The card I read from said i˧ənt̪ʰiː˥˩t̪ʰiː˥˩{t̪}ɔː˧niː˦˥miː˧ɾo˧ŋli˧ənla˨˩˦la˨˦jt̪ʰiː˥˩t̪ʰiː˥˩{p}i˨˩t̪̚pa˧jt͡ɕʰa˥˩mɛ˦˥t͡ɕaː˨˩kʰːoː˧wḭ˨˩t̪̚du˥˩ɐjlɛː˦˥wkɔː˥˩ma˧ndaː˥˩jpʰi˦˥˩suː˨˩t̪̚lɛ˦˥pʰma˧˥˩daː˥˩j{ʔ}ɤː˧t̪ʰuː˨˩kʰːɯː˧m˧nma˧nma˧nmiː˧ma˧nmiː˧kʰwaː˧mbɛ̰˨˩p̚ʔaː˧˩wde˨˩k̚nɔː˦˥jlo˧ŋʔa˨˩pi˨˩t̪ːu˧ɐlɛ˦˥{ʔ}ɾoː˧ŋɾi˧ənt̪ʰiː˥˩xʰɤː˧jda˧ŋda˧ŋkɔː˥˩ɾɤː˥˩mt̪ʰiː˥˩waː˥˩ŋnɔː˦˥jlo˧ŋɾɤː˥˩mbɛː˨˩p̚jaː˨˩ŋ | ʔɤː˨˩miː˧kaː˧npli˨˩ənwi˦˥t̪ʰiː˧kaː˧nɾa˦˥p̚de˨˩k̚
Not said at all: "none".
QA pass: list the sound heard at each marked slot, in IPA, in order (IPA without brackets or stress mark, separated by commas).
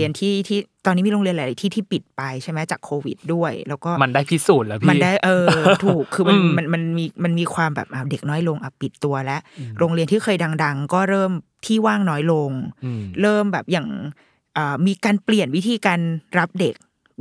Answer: t̪, p, ʔ, ʔ